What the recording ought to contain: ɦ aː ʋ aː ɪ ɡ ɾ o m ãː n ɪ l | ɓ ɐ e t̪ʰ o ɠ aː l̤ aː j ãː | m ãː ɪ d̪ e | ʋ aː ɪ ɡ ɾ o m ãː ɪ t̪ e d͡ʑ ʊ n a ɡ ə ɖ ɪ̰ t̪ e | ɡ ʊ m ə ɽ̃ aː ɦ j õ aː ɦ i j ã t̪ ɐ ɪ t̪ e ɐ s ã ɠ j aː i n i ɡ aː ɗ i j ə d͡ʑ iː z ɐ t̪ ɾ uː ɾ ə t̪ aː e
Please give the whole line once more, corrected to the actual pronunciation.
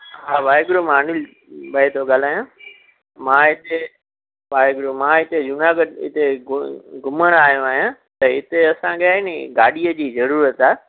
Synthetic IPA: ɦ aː ʋ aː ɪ ɡ ɾ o m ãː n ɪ l | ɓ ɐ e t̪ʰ o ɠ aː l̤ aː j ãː | m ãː ɪ t̪ e | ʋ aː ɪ ɡ ɾ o m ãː ɪ t̪ e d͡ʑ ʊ n a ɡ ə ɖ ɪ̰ t̪ e | ɡ ʊ m ə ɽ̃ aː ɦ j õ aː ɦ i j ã t̪ ɐ ɪ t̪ e ɐ s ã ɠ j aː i n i ɡ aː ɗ i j ə d͡ʑ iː z ɐ ɾ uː ɾ ə t̪ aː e